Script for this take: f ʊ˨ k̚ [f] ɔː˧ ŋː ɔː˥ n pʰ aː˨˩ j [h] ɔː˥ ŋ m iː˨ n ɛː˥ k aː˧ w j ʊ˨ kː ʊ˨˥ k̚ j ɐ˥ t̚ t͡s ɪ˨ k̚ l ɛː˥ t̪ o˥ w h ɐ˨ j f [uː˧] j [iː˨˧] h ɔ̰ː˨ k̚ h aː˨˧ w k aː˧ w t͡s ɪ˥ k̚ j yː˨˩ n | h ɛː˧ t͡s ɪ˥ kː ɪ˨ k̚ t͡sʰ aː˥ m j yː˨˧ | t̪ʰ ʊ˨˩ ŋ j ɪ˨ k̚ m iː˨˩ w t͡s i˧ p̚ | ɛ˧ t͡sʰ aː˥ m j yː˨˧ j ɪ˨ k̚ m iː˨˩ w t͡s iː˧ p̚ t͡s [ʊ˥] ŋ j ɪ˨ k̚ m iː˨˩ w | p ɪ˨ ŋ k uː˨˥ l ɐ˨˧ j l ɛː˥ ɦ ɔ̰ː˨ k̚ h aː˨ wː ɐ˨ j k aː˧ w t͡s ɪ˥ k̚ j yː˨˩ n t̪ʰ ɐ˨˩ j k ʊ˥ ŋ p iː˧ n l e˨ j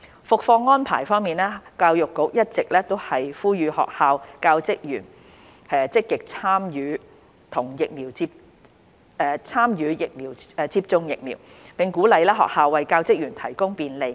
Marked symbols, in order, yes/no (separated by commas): yes, no, no, no, no